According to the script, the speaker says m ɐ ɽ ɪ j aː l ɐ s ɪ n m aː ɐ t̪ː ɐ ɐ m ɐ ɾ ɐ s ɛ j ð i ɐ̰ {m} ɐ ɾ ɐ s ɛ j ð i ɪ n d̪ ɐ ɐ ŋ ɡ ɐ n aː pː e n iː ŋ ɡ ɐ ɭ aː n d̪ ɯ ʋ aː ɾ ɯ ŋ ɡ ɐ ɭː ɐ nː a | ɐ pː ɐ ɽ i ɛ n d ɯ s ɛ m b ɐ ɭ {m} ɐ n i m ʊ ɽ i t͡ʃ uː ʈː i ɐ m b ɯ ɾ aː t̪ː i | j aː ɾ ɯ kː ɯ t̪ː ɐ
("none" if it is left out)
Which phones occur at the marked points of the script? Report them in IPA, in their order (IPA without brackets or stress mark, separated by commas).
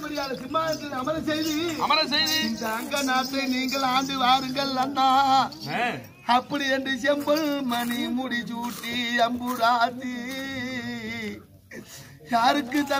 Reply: m, m